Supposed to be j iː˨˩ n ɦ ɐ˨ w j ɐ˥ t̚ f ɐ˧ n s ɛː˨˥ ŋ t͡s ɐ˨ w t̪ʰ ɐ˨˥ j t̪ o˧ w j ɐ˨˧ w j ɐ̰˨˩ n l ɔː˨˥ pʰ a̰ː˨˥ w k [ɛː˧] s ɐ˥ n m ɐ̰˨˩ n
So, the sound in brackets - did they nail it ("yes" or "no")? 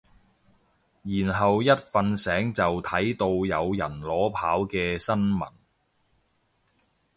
yes